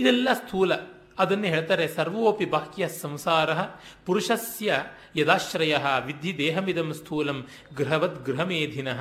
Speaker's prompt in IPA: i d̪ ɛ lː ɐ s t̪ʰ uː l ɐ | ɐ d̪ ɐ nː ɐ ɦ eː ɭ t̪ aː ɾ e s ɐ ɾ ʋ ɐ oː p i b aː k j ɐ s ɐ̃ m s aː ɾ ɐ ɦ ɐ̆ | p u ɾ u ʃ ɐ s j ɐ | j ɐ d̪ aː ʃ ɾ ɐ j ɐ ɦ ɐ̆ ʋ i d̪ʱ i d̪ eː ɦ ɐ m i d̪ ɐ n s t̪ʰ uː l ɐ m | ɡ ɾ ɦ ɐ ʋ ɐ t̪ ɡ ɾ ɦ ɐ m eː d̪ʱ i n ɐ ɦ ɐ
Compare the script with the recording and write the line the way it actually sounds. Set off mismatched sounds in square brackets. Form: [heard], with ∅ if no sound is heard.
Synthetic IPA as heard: i d̪ ɛ lː ɐ s t̪ʰ uː l ɐ | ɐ d̪ ɐ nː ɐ ɦ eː ɭ t̪ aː ɾ e s ɐ ɾ ʋ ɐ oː p i b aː k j ɐ s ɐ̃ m s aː ɾ ɐ ɦ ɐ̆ | p u ɾ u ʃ ɐ s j ɐ | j ɐ d̪ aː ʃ ɾ ɐ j ɐ ɦ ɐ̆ ʋ i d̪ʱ i d̪ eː ɦ ɐ m i d̪ ɐ [m] s t̪ʰ uː l ɐ m | ɡ ɾ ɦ ɐ ʋ ɐ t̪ ɡ ɾ ɦ ɐ m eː d̪ʱ i n ɐ ɦ ɐ